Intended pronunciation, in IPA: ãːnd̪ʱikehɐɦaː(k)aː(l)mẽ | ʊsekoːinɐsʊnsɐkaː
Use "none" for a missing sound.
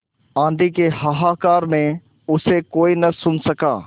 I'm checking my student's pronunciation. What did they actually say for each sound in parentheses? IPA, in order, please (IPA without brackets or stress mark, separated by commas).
k, ɾ